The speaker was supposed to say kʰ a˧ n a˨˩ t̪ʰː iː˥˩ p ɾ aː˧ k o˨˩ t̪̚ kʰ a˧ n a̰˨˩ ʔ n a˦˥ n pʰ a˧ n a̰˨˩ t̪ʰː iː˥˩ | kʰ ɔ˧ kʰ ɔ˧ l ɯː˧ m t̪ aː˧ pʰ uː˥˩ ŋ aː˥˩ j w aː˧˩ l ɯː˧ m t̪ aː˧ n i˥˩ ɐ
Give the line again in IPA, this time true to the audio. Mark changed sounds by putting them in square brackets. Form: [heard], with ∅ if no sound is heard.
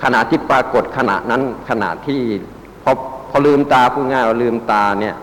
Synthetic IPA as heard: kʰ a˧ n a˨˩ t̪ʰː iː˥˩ p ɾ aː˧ k o˨˩ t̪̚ kʰ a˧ n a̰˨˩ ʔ n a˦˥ n [kʰ] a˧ n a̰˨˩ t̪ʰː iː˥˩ | [pʰ] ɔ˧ [pʰ] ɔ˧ l ɯː˧ m t̪ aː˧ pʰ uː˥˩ ŋ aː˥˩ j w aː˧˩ l ɯː˧ m t̪ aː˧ n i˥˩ ɐ